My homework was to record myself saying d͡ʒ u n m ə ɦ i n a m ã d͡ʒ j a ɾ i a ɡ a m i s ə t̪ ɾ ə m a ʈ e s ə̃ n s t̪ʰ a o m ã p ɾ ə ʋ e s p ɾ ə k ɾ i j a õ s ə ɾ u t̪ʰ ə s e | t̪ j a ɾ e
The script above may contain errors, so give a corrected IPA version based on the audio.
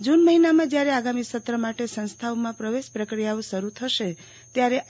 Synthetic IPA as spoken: d͡ʒ u n m ə ɦ i n a m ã d͡ʒ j a ɾ e a ɡ a m i s ə t̪ ɾ ə m a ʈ e s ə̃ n s t̪ʰ a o m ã p ɾ ə ʋ e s p ɾ ə k ɾ i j a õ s ə ɾ u t̪ʰ ə ʃ e | t̪ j a ɾ e